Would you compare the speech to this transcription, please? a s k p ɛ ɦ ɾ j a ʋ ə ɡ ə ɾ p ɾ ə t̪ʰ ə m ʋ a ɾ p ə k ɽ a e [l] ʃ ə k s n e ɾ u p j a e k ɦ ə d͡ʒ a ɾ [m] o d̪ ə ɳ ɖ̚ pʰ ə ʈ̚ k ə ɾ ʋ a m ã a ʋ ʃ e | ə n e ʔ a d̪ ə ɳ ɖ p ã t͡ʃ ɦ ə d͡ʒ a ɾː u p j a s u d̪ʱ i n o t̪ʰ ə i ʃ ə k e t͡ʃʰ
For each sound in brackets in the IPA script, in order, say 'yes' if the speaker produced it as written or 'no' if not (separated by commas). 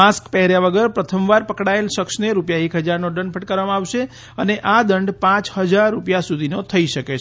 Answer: yes, no